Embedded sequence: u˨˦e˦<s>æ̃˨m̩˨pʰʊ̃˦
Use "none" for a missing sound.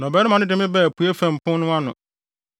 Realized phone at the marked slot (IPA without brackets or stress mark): f